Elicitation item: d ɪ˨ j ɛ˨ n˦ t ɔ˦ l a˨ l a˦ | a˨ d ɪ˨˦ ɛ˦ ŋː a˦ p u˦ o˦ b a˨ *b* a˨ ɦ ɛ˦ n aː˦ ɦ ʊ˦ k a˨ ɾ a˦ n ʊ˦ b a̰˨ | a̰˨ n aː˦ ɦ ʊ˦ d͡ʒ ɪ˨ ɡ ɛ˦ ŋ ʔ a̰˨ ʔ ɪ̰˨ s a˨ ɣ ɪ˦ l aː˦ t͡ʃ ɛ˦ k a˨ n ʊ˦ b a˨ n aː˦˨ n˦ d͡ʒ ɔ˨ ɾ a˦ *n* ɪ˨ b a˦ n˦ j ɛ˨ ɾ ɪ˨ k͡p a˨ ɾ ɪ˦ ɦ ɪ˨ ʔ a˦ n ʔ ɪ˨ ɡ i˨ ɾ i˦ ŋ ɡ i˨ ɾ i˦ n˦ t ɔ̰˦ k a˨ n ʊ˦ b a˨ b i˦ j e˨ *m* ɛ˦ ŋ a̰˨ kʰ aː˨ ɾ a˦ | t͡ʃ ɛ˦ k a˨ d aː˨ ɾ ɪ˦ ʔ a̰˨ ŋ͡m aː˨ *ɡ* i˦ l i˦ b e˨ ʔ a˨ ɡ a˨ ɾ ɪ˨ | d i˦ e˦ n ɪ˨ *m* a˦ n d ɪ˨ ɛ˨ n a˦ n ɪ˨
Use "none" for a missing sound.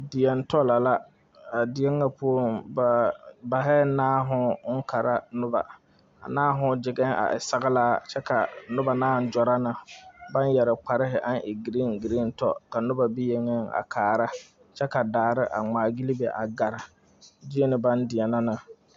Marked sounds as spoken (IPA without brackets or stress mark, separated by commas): b, n, ŋ, ɡ, b